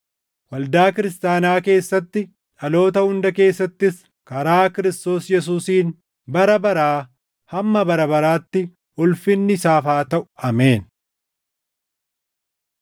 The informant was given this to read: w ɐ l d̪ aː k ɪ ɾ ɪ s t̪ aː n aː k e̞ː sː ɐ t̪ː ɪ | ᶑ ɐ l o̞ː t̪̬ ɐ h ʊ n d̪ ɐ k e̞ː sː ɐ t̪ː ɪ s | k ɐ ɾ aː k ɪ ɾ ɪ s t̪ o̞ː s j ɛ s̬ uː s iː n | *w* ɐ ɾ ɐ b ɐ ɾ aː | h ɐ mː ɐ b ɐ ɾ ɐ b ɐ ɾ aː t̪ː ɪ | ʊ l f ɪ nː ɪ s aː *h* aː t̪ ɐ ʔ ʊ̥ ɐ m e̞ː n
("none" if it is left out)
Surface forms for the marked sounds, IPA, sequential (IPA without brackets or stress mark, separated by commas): b, f